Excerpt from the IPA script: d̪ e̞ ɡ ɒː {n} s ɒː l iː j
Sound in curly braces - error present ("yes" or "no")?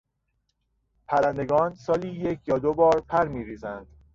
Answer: no